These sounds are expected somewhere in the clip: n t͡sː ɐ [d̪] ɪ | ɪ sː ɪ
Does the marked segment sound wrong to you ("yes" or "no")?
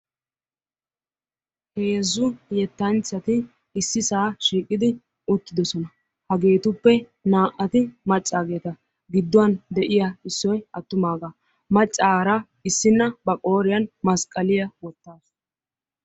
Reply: yes